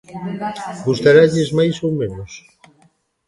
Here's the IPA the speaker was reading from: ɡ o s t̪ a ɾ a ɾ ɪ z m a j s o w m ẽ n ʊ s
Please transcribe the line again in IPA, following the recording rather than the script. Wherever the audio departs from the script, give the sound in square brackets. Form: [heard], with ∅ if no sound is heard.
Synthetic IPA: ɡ [u] s t̪ a ɾ a [ʎ] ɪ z m a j s o w m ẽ n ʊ s